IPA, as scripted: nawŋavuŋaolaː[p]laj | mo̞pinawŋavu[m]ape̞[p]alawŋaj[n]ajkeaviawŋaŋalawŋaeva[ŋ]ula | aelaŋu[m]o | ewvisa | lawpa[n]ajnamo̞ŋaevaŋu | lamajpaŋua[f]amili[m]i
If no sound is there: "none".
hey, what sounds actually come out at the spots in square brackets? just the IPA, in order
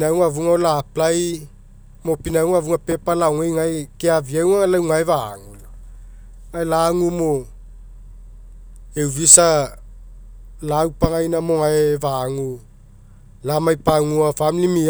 p, ŋ, p, ŋ, ŋ, m, ŋ, f, m

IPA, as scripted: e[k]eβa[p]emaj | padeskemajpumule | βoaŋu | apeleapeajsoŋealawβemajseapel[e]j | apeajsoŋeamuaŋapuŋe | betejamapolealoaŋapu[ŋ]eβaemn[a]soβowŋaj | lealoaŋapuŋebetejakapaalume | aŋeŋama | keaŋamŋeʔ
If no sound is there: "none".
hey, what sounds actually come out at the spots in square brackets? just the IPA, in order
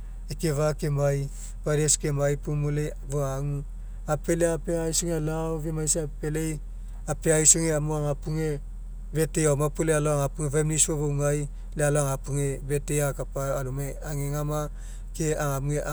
k, k, e, ŋ, i

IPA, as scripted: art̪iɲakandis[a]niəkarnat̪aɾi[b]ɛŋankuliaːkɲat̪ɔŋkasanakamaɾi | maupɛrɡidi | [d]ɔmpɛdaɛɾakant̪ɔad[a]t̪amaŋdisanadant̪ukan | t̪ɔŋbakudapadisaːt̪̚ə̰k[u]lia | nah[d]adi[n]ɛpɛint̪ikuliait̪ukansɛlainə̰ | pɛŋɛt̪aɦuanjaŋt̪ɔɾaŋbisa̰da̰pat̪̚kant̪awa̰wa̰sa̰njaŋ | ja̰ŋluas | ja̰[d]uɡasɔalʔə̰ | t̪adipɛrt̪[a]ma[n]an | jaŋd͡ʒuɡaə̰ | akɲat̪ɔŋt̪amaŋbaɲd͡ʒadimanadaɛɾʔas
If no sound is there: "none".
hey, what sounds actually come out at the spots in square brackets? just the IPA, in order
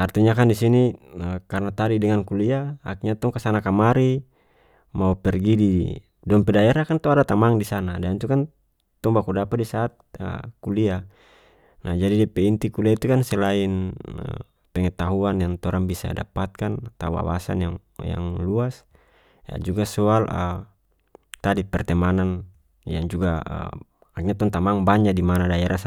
i, d, d, a, u, d͡ʒ, d, d͡ʒ, ɛ, n

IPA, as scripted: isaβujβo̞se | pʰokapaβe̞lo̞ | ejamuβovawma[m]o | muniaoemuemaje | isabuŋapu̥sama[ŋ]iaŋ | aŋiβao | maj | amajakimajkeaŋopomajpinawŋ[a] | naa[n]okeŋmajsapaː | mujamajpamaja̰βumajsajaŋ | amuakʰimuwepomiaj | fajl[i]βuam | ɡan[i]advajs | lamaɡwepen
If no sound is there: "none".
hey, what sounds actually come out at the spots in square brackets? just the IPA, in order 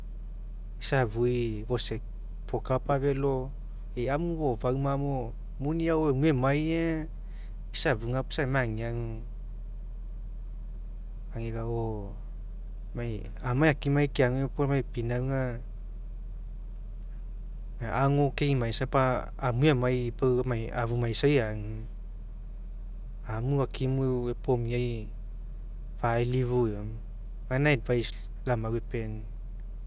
m, ŋ, a, ŋ, i, a

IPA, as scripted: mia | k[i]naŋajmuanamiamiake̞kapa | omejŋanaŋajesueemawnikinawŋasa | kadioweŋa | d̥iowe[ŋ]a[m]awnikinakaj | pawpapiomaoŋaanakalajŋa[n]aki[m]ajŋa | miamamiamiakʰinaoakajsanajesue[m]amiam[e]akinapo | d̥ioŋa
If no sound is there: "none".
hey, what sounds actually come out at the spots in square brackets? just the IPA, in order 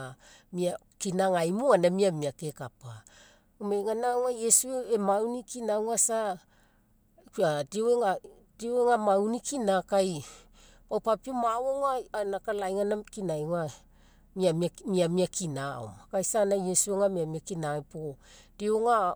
i, ŋ, m, n, n, ŋ, i

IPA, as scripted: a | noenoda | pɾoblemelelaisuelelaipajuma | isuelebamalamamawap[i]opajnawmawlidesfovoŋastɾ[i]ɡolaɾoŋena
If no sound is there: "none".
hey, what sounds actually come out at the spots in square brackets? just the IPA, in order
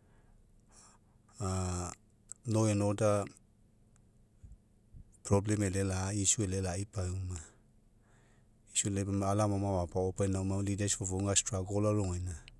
a, a

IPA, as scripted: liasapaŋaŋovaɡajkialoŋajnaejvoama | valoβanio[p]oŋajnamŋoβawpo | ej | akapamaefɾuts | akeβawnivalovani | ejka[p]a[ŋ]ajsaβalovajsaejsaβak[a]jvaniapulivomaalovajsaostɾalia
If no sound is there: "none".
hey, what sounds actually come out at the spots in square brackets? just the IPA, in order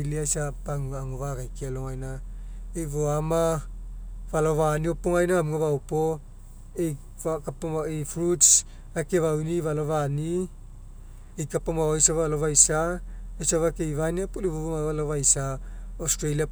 p, p, m, e

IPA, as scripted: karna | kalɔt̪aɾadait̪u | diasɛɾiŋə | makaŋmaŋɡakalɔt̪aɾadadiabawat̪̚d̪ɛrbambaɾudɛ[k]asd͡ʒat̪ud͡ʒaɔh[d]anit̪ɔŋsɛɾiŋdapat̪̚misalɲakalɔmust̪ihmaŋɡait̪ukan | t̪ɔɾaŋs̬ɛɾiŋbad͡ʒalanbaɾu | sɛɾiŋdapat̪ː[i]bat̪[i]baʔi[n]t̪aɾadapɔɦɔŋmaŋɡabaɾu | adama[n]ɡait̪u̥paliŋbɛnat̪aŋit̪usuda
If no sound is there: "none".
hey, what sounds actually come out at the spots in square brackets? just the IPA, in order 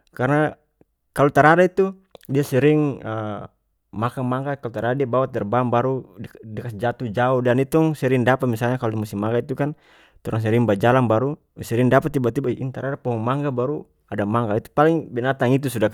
k, d, i, i, n, ŋ

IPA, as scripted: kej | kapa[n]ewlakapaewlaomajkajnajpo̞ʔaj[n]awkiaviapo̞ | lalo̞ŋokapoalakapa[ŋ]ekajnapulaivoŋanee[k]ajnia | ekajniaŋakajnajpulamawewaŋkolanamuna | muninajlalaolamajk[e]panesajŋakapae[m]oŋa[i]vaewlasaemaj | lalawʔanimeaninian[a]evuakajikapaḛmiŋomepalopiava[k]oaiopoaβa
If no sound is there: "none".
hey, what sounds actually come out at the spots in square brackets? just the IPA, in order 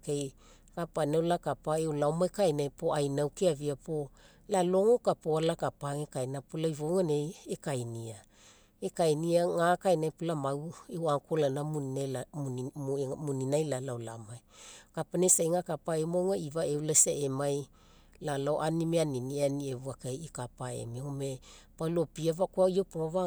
n, n, ŋ, k, a, m, i, i, k

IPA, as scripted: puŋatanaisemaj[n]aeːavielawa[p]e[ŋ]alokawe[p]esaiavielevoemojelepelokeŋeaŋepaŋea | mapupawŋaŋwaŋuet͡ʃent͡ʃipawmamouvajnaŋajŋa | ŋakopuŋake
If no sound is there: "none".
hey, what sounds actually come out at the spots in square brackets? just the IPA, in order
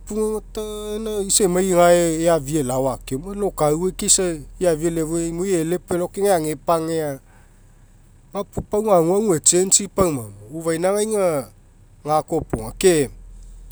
ŋ, k, m, k

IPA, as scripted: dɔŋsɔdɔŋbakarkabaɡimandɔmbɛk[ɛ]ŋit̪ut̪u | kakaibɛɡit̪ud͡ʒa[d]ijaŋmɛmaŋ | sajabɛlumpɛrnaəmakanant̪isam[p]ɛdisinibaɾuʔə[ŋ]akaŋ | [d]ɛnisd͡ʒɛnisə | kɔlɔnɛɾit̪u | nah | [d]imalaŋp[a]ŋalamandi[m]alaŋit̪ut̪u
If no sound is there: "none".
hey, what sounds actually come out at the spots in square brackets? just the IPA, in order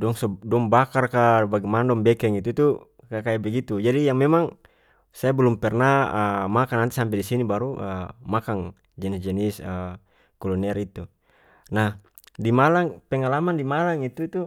ɛ, d, p, m, d͡ʒ, d, ɛ, m

